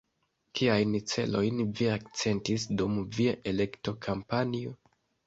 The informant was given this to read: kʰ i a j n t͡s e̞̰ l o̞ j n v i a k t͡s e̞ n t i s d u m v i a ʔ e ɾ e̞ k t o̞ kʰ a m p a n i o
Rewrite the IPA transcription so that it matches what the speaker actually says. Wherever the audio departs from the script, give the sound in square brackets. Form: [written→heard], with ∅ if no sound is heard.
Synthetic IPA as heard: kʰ i a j n t͡s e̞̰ l o̞ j n v i a k t͡s e̞ n t i s d u m v i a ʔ e [ɾ→l] e̞ k t o̞ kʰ a m p a n i o